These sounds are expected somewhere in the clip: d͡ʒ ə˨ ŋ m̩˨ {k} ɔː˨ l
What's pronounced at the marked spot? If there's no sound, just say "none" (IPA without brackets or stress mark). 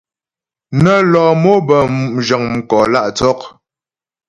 k